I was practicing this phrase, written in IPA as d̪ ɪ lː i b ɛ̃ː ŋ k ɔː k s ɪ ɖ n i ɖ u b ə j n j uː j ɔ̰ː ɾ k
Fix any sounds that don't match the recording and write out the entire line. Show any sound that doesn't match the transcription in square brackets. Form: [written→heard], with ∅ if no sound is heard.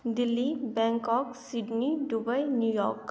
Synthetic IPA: d̪ ɪ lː i b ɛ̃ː ŋ k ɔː k s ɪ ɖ n i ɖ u b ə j n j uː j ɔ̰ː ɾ k

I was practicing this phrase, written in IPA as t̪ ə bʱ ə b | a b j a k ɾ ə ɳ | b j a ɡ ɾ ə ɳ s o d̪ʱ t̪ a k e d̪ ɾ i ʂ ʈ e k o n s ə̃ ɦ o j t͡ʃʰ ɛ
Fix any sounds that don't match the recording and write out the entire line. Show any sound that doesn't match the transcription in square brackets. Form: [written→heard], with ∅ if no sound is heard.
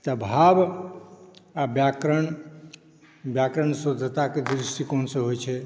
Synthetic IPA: t̪ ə bʱ [ə→a] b | a b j a k ɾ ə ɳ | b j a [ɡ→k] ɾ ə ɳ s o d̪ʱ t̪ a k e d̪ ɾ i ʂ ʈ [e→i] k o n s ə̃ ɦ o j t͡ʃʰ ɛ

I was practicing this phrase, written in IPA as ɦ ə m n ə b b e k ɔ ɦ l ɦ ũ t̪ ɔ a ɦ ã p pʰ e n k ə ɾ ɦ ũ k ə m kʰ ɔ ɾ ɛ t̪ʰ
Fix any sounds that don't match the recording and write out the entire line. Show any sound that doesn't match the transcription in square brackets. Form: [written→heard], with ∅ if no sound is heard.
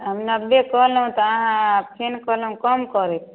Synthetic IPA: ɦ ə m n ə b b e k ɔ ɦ l ɦ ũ t̪ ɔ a ɦ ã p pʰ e n k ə [ɾ→l] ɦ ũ k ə m [kʰ→k] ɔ ɾ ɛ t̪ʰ

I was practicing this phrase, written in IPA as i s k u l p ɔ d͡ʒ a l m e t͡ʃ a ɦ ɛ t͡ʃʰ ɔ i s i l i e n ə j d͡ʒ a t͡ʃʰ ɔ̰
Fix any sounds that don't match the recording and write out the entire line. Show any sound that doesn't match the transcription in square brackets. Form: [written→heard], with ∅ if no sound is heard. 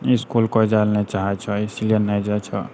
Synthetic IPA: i s k u l [p→k] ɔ d͡ʒ a l [m→n] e t͡ʃ a ɦ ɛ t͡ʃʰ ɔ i s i l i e n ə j d͡ʒ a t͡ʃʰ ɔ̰

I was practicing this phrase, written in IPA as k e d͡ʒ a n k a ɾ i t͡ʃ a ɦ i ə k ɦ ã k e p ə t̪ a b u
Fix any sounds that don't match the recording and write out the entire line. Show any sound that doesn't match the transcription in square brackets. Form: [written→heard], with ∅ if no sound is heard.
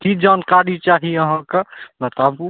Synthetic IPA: k [e→i] d͡ʒ a n k a ɾ i t͡ʃ a ɦ i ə [k→∅] ɦ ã k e [p→b] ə t̪ a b u

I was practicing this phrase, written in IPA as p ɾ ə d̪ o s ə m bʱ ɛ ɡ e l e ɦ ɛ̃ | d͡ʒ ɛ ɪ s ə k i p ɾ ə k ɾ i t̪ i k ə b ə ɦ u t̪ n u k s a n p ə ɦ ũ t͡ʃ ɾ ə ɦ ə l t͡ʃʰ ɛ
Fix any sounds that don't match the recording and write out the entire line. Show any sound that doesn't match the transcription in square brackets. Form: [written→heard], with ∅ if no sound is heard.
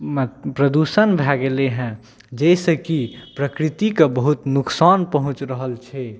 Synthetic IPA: p ɾ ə d̪ [o→u] s ə [m→n] bʱ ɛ ɡ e l e ɦ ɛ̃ | d͡ʒ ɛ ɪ s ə k i p ɾ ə k ɾ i t̪ i k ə b ə ɦ u t̪ n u k s a n p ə ɦ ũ t͡ʃ ɾ ə ɦ ə l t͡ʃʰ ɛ

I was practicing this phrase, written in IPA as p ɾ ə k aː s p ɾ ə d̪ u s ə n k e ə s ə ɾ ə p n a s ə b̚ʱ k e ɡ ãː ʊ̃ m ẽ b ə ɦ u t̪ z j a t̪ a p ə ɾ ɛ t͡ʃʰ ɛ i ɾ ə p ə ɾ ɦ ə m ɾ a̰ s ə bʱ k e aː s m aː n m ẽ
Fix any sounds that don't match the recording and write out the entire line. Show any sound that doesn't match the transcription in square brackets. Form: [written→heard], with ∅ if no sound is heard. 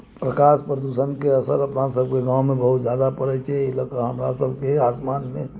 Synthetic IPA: p ɾ ə k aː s p ɾ ə d̪ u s ə n k e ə s ə ɾ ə p n a s ə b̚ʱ k e ɡ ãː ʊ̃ m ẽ b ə ɦ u t̪ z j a [t̪→d̪] a p ə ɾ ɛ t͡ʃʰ ɛ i [ɾ→l] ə [p→k] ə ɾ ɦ ə m ɾ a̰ s ə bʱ k e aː s m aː n m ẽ

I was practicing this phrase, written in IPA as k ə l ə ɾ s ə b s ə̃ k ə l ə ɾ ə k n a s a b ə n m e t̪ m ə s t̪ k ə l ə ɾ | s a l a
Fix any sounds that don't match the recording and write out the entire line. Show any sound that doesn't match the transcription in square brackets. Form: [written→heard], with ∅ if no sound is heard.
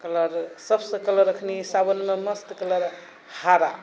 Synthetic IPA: k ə l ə ɾ s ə b s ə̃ k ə l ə ɾ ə [k→kʰ] n [a→i] s a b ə n m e [t̪→∅] m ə s t̪ k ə l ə ɾ | [s→h] a [l→ɾ] a

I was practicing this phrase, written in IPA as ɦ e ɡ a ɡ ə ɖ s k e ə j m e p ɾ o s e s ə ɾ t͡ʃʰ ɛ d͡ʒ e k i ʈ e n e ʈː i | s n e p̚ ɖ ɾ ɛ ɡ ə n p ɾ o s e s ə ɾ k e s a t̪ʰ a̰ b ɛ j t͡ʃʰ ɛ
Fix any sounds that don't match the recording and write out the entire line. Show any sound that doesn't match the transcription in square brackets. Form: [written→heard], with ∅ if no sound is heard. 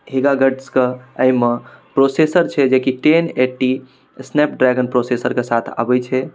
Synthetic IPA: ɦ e ɡ a ɡ ə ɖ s k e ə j m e p ɾ o s e s ə ɾ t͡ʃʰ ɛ d͡ʒ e k i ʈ e n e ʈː i | s n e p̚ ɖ ɾ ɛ ɡ ə n p ɾ o s e s ə ɾ k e s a t̪ʰ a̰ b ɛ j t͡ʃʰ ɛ

